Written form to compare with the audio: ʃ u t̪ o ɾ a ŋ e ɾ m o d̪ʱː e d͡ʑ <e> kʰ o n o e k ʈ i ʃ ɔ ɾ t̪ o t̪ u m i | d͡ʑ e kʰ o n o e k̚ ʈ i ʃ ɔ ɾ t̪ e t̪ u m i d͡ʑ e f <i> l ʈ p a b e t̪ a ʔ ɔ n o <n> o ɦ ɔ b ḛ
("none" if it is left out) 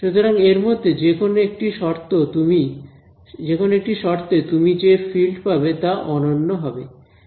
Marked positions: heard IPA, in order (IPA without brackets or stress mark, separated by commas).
e, i, nː